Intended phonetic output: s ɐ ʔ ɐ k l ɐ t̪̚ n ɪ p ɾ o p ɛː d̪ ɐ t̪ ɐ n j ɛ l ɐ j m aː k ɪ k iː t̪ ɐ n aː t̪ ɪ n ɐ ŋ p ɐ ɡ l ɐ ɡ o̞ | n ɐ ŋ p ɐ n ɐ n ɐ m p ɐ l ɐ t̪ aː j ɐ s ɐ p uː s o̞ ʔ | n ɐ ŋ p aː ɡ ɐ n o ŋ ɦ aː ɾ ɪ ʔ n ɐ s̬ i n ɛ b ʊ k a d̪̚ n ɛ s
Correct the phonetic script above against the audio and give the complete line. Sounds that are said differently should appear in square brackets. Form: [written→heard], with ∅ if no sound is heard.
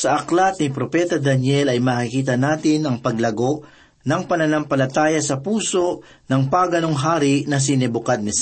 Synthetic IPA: s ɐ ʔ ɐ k l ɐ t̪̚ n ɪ p ɾ o p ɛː [d̪→t̪] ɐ [t̪→d̪] ɐ n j ɛ l ɐ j m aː k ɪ k iː t̪ ɐ n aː t̪ ɪ n ɐ ŋ p ɐ ɡ l ɐ ɡ o̞ | n ɐ ŋ p ɐ n ɐ n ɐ m p ɐ l ɐ t̪ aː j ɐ s ɐ p uː s o̞ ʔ | n ɐ ŋ p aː ɡ ɐ n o ŋ ɦ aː ɾ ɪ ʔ n ɐ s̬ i n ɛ b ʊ k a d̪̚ n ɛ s